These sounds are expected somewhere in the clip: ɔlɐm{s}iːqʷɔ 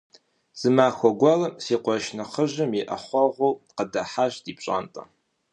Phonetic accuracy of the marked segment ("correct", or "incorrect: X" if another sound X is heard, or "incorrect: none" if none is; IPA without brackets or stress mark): correct